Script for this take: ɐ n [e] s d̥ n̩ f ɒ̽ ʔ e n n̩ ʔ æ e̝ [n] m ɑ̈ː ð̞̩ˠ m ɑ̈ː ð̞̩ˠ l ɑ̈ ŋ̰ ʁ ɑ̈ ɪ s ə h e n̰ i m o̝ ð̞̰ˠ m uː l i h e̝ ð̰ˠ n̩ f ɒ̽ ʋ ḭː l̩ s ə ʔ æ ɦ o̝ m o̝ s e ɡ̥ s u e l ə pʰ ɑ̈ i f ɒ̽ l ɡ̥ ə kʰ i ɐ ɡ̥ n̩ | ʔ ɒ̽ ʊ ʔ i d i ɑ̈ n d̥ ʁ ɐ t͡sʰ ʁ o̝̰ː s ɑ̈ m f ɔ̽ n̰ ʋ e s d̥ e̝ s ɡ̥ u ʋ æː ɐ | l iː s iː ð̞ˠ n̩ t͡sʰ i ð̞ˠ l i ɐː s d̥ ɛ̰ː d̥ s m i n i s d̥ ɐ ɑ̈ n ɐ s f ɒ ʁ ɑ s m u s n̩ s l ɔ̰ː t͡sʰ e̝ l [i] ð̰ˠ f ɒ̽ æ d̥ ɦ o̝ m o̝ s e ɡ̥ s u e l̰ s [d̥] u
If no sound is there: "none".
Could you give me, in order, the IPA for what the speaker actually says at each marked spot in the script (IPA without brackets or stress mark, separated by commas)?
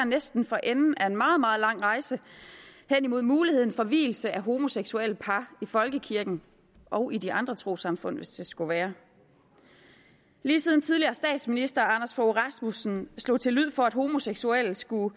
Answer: e, n, y, ɡ̥